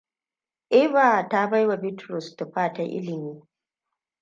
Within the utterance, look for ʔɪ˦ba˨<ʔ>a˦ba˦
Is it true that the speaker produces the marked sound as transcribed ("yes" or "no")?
no